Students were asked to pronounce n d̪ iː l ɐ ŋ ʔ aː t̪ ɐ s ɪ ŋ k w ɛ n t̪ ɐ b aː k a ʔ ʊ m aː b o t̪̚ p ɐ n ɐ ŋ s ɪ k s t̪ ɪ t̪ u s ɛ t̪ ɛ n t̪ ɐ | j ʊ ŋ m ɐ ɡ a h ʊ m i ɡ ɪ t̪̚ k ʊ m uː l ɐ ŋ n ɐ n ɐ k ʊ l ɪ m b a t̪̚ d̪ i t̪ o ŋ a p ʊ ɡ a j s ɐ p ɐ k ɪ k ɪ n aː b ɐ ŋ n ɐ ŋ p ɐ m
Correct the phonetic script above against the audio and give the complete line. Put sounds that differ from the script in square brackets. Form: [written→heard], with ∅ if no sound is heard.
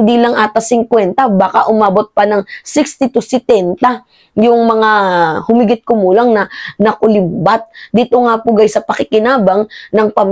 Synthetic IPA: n d̪ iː l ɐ ŋ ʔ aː t̪ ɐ s ɪ ŋ k w ɛ n t̪ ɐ b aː k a ʔ ʊ m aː b o t̪̚ p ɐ n ɐ ŋ s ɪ k s t̪ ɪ t̪ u s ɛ t̪ ɛ n t̪ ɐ | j ʊ ŋ m ɐ [ɡ→ŋ] a h ʊ m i ɡ ɪ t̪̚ k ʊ m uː l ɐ ŋ n ɐ n ɐ k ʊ l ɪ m b a t̪̚ d̪ i t̪ o ŋ a p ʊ ɡ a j s ɐ p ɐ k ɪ k ɪ n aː b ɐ ŋ n ɐ ŋ p ɐ m